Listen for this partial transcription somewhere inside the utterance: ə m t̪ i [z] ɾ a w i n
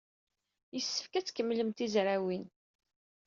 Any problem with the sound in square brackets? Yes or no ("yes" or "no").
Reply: no